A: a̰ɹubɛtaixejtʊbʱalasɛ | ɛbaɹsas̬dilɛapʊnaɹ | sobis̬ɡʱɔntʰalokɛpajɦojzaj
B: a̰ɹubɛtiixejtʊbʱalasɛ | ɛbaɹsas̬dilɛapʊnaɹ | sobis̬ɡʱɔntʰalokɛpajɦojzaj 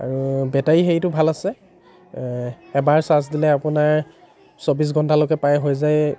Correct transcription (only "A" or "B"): A